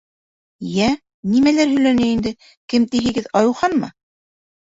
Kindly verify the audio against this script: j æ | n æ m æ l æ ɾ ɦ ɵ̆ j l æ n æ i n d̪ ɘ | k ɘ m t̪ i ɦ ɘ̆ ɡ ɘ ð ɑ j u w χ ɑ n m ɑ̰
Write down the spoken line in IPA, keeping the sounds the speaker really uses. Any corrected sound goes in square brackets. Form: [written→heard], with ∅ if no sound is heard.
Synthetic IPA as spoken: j æ | n [æ→i] m æ l æ ɾ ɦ ɵ̆ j l æ n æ i n d̪ ɘ | k ɘ m t̪ i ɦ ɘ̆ ɡ ɘ ð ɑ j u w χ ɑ n m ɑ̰